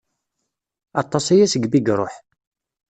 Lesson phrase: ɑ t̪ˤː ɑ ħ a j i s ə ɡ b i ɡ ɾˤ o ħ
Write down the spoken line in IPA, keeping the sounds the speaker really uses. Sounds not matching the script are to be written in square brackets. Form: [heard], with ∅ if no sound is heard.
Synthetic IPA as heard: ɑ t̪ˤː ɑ [s] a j [æ] s ə ɡ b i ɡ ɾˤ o ħ